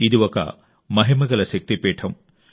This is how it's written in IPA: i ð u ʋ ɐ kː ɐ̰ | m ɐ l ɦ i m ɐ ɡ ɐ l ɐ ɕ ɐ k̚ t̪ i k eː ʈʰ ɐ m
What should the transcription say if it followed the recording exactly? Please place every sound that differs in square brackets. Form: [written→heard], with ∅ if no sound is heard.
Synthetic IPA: i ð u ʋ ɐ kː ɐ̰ | m ɐ [l→∅] ɦ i m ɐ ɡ ɐ l ɐ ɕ ɐ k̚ t̪ i [k→p] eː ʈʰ ɐ m